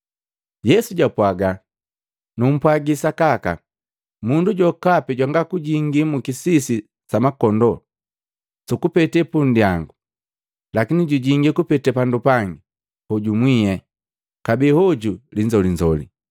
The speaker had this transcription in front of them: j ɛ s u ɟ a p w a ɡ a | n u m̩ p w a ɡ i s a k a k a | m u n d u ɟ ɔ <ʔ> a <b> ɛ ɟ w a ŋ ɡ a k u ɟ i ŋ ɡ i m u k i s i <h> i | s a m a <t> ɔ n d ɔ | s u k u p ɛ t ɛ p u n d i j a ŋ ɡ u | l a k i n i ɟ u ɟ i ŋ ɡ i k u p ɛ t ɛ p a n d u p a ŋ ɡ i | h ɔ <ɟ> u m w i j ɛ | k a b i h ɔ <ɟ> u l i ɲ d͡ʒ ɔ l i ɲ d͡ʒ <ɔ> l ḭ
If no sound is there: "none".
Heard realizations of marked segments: k, p, s, k, ɟ, ɟ, ɔ

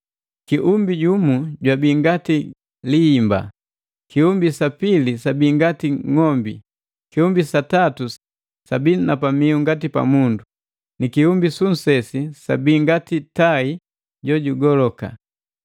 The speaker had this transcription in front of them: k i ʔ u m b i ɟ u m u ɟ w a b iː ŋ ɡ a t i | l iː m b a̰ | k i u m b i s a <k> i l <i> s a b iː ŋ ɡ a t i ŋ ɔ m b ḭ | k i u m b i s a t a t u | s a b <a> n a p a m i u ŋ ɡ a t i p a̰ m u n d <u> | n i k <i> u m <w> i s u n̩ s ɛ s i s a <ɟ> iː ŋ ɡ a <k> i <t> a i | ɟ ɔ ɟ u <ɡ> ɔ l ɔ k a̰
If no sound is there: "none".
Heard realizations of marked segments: p, i, i, u, i, b, b, t, t, ɡ

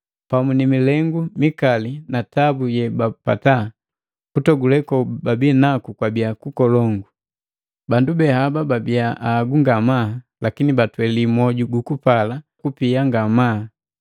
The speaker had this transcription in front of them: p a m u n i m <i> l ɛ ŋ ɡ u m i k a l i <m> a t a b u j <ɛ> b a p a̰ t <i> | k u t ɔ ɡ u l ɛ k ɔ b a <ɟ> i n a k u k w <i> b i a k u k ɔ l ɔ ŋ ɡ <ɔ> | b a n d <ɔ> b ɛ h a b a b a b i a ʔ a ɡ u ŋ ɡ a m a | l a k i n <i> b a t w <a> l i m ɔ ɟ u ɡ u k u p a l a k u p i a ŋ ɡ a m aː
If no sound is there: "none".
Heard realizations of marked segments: i, n, ɛ, a, b, a, u, u, i, ɛ

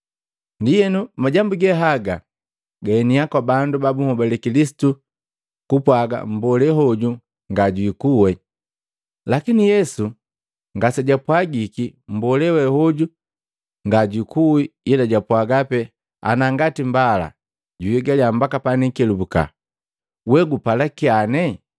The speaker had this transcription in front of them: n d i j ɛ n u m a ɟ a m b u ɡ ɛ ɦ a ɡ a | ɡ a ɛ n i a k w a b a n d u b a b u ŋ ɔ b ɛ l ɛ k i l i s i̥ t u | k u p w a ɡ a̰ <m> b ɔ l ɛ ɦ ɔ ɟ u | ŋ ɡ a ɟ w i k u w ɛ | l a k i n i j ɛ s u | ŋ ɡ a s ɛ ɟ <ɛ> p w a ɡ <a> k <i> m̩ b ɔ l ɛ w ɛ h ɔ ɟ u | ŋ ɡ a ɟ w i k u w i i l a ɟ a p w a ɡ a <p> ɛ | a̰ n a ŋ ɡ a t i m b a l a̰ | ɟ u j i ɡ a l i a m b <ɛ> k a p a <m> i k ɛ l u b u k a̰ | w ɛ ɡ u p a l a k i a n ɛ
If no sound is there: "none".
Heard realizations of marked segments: m, a, i, i, p, a, n

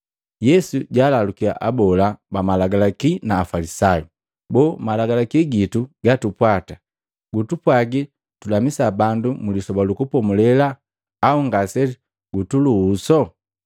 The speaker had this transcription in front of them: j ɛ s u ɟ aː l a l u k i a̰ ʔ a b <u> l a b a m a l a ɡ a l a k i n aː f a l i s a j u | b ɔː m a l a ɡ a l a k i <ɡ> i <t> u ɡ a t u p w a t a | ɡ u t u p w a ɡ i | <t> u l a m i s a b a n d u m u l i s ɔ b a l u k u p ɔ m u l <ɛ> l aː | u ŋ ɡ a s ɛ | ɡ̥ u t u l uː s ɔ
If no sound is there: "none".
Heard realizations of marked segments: ɔ, ɡ, t, t, ɛ

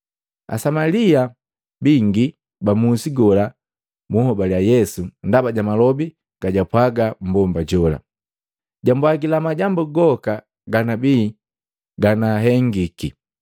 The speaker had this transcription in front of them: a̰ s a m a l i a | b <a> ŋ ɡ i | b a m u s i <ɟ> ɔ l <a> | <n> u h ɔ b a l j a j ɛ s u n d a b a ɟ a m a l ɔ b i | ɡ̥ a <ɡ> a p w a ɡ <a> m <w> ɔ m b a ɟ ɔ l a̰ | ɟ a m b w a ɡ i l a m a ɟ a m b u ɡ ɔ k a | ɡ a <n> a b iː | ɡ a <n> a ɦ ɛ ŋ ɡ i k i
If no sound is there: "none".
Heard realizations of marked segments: i, ɡ, a, m, ɟ, a, b, n, n

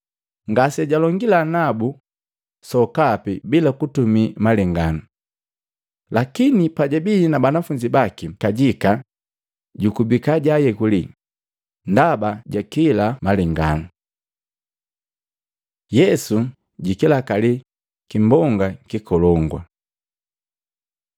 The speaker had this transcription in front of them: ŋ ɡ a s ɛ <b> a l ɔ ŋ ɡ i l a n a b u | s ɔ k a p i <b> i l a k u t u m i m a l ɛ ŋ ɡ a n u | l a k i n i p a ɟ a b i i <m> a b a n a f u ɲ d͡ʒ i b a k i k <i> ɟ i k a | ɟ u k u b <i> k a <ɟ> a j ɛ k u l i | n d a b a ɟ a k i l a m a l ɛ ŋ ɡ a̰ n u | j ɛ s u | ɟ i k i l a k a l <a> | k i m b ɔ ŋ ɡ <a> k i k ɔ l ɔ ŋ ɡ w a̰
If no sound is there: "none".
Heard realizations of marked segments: ɟ, b, n, a, i, ɟ, i, a

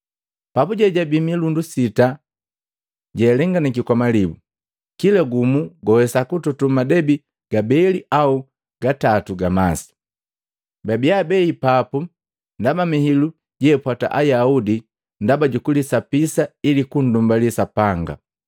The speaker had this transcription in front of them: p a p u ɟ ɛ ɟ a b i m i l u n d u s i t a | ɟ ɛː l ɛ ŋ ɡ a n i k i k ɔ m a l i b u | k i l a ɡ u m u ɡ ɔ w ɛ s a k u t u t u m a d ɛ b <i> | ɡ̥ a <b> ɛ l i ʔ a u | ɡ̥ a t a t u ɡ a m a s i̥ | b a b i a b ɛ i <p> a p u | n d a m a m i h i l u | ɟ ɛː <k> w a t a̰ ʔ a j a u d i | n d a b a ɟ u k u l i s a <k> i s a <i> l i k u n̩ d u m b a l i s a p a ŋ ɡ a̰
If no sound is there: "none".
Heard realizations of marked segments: i, b, p, p, p, i

